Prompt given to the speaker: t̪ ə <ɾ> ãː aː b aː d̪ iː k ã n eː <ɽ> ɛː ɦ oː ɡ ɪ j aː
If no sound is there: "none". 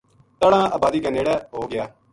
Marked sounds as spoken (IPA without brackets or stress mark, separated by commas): ɽ, ɽ